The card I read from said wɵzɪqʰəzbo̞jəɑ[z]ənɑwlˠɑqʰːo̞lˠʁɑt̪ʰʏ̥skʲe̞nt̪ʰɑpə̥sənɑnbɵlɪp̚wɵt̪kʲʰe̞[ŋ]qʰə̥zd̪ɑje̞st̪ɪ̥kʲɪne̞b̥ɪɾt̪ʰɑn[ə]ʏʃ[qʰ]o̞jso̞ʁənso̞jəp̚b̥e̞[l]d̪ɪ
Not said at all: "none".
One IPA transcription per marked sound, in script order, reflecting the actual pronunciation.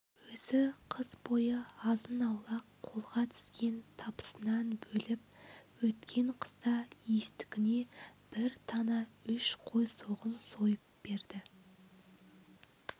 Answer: z, ɴ, ɑ, qʰ, ɾ

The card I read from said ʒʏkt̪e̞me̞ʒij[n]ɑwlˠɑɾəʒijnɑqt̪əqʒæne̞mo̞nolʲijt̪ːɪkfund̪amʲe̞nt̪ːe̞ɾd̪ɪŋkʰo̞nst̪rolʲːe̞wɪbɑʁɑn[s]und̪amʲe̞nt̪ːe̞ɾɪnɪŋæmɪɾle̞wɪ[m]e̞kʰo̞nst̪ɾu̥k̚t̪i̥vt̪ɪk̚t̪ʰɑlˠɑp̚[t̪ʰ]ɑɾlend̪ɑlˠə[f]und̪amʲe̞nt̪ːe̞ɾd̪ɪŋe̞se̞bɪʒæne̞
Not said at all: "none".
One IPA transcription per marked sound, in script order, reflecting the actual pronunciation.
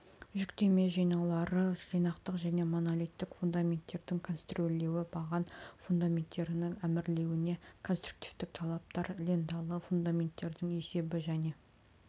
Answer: n, f, n, t̪, f

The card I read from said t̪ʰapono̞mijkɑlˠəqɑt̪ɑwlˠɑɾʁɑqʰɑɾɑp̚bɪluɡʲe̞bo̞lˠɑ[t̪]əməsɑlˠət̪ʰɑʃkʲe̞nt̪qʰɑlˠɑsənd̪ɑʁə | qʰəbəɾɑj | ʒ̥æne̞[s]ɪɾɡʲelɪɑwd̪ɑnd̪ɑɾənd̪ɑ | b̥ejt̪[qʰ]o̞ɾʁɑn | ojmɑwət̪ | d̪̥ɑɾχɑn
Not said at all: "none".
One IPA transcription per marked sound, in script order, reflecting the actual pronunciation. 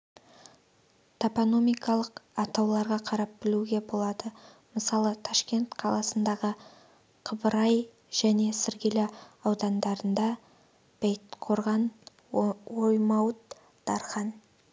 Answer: d̪, s, qʰ

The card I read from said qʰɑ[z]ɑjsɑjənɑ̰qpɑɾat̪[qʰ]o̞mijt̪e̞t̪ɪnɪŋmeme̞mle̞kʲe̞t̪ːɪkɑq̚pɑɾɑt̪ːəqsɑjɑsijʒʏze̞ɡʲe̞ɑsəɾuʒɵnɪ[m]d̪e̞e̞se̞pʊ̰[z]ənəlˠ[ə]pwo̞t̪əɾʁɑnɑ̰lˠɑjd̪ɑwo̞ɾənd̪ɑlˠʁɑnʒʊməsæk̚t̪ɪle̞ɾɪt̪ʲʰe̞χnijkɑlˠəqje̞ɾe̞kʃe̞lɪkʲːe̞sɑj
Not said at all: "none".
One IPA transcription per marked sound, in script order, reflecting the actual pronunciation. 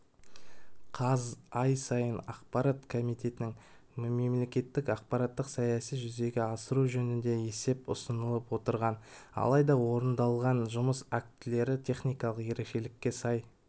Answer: z, kʰ, n, s, ə

